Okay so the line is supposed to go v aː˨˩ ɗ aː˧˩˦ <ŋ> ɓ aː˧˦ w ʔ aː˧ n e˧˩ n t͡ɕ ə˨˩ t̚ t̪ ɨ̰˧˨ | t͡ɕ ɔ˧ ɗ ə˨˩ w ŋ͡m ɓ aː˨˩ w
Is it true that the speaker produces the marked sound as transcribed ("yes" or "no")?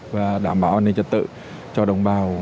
no